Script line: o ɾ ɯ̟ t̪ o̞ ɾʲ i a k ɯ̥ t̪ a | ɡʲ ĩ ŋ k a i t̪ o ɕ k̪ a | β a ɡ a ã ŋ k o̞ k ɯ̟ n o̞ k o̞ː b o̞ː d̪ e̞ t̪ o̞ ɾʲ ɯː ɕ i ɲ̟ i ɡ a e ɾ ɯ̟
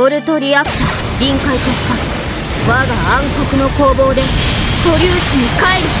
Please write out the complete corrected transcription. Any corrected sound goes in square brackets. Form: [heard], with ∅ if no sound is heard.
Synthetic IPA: o ɾ ɯ̟ t̪ o̞ ɾʲ i a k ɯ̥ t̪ a | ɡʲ ĩ ŋ k a i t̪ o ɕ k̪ a | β a ɡ a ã ŋ k o̞ k ɯ̟ n o̞ k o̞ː b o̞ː d̪ e̞ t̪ o̞ ɾʲ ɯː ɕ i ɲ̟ i [k] a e ɾ ɯ̟